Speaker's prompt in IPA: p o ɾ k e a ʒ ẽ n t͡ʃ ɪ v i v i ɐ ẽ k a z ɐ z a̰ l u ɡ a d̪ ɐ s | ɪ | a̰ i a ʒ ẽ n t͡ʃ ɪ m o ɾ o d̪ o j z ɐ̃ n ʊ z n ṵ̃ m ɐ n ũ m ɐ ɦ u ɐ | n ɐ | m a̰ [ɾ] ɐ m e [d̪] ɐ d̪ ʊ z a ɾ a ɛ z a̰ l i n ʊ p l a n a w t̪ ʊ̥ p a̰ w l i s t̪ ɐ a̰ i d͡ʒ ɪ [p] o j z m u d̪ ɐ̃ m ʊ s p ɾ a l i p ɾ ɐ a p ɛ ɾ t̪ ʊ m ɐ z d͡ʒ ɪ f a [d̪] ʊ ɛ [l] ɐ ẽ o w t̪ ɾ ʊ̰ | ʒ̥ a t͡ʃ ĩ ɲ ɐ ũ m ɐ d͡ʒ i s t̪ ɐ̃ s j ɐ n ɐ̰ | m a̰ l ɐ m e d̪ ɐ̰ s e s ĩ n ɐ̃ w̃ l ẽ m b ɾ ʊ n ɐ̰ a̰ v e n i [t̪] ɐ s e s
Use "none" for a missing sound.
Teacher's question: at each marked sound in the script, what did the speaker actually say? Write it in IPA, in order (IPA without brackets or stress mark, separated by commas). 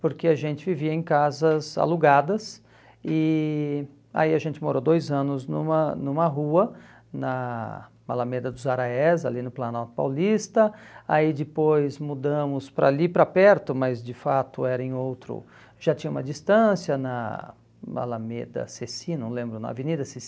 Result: l, d̪, p, t̪, ɾ, d̪